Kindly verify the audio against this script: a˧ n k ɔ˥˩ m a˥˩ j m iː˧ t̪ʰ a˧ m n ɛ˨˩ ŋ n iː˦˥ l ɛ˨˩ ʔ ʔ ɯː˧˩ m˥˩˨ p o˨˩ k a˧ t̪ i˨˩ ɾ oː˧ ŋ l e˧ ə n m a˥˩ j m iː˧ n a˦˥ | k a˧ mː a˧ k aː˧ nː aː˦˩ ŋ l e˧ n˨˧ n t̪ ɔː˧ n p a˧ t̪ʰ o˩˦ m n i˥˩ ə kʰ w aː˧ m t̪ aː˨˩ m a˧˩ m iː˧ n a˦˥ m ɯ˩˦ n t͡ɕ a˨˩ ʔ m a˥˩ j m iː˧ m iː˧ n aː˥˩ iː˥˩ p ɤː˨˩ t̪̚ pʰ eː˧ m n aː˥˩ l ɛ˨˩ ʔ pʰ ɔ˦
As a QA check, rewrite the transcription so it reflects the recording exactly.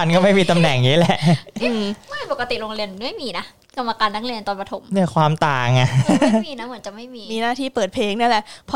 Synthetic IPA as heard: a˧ n k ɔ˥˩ m a˥˩ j m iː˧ t̪ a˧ m n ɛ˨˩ ŋ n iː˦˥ l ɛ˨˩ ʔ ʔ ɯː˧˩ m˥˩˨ p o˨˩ k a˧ t̪ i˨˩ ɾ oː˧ ŋ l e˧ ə n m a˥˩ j m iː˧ n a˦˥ | k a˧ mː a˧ k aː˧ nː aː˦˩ ŋ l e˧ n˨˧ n t̪ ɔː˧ n p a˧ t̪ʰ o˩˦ m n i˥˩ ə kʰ w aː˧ m t̪ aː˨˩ ŋ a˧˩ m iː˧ n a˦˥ m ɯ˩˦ n t͡ɕ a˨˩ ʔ m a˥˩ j m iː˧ m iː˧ n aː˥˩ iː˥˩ p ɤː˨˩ t̪̚ pʰ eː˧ ŋ n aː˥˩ l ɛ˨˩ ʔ pʰ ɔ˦